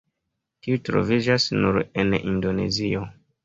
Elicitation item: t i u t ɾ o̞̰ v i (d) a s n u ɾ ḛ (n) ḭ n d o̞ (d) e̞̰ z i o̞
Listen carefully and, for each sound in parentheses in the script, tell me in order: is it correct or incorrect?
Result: incorrect: d͡ʒ, correct, incorrect: n

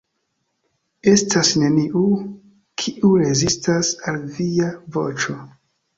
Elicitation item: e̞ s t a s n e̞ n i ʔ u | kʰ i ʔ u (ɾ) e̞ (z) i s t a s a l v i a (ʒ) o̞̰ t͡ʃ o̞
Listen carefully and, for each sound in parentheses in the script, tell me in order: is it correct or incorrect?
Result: correct, correct, incorrect: v

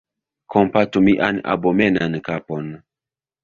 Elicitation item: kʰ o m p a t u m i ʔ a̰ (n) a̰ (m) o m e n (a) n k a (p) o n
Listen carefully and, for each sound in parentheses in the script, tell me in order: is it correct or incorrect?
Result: correct, incorrect: b, correct, correct

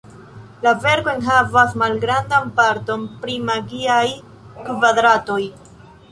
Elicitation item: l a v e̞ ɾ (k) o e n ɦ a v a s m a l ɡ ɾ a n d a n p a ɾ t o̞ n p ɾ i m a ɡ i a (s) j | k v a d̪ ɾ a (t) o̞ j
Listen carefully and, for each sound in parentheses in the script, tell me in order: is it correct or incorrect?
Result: correct, incorrect: none, correct

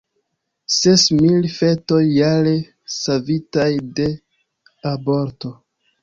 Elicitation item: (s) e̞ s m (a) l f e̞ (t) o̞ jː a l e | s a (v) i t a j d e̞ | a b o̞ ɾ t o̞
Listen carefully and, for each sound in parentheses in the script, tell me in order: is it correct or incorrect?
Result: correct, incorrect: i, correct, correct

